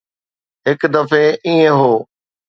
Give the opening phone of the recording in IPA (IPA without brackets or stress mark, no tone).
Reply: ɦ